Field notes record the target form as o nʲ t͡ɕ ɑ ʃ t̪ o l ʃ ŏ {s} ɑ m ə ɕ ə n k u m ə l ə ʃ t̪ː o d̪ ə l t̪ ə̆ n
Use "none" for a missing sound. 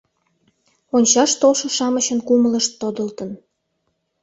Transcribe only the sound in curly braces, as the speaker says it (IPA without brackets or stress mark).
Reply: ʃ